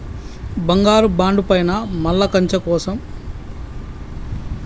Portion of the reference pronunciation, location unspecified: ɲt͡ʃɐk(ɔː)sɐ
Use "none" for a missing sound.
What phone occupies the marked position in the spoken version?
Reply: ɔː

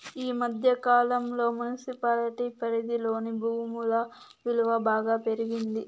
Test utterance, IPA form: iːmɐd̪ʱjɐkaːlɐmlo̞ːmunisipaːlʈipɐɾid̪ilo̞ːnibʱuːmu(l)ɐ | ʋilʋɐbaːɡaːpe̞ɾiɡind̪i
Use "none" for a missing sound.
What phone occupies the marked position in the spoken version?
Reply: l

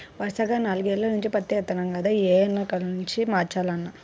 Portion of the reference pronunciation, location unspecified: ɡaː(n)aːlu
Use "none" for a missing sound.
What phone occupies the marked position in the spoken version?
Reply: n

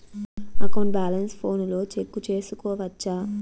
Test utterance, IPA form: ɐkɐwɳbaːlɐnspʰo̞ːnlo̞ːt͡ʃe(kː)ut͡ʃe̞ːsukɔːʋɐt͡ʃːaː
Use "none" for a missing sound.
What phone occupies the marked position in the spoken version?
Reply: kː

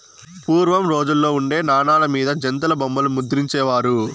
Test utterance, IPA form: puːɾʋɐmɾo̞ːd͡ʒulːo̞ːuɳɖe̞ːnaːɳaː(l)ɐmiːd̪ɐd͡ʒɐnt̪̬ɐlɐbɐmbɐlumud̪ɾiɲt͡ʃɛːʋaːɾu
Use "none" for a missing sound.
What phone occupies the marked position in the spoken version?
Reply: l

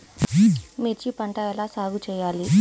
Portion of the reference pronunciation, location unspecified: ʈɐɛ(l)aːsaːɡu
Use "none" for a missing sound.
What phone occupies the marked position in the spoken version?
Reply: l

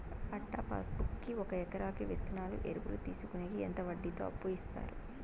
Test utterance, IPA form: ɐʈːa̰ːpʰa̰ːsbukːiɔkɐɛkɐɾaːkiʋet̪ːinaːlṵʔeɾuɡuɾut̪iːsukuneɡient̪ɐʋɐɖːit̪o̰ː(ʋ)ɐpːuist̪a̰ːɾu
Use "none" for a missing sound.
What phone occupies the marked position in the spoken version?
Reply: none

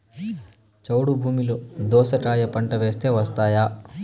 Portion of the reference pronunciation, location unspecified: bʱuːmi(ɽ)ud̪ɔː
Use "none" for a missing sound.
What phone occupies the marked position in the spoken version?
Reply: l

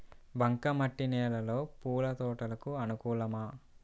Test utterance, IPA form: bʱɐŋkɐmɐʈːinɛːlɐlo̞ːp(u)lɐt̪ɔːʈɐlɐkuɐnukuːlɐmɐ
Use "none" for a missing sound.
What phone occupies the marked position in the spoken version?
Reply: uː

